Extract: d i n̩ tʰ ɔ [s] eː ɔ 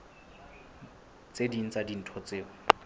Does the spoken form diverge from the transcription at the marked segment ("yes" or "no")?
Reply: yes